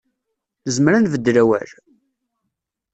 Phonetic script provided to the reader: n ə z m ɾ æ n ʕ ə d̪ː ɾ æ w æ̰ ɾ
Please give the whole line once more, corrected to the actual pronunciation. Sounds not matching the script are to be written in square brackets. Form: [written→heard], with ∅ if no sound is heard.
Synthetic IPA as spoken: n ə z m ɾ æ n [ʕ→v] ə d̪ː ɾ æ w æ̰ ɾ